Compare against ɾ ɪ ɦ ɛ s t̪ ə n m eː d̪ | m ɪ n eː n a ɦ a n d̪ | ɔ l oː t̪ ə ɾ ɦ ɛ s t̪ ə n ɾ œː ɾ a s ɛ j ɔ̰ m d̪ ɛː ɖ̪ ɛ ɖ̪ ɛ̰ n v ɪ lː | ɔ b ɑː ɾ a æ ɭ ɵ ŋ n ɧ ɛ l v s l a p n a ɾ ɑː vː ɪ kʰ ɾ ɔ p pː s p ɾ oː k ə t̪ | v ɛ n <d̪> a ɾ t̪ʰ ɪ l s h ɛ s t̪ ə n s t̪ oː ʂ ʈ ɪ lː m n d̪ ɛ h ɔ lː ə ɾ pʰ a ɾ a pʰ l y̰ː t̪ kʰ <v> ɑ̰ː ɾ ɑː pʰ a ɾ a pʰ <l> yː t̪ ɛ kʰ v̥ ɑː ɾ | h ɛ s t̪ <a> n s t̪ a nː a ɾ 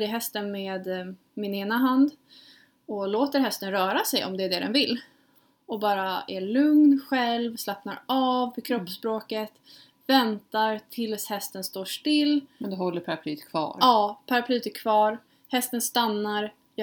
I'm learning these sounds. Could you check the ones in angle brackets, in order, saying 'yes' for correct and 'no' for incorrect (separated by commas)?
no, yes, yes, no